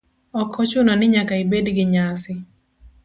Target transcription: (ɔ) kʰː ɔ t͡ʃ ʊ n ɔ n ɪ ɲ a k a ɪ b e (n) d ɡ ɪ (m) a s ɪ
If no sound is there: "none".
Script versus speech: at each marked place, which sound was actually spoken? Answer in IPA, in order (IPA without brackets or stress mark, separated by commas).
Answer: ɔ, none, ɲ